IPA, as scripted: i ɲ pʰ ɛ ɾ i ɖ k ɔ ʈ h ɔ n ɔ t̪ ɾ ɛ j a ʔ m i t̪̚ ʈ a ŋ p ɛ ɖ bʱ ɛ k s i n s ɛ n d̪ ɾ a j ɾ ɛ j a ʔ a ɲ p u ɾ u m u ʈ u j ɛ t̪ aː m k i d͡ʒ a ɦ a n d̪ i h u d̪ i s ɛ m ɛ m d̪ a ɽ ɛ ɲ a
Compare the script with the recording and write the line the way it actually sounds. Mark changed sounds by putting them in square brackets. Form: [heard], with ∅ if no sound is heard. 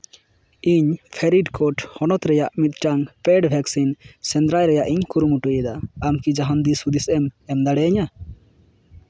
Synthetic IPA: i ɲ pʰ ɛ ɾ i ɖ k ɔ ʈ h ɔ n ɔ t̪ ɾ ɛ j a ʔ m i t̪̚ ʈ a ŋ p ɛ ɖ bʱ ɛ k s i n s ɛ n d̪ ɾ a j ɾ ɛ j a ʔ [i] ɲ [k] u ɾ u m u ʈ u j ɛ [d̪] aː m k i d͡ʒ a ɦ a n d̪ i [s] u d̪ i s ɛ m ɛ m d̪ a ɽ ɛ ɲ a